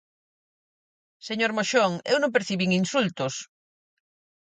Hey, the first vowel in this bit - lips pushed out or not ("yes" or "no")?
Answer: no